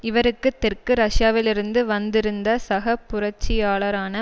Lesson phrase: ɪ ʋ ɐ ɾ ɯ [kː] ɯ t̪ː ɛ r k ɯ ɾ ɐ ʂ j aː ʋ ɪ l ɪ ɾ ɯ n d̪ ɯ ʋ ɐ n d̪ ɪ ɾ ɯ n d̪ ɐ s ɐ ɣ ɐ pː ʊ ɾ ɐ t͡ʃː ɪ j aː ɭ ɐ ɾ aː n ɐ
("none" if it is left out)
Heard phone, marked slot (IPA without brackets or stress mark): kː